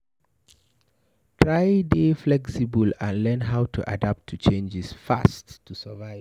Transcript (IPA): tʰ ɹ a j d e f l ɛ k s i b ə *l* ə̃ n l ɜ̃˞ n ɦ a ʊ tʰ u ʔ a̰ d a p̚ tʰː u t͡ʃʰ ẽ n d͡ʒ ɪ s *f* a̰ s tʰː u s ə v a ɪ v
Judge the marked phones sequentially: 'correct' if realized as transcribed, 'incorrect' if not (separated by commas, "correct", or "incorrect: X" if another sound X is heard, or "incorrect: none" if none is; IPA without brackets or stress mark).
correct, correct